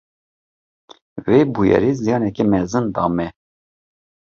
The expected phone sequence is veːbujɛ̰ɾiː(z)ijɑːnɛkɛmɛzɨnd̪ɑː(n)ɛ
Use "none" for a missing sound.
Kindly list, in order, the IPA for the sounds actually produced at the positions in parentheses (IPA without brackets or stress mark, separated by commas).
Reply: z, m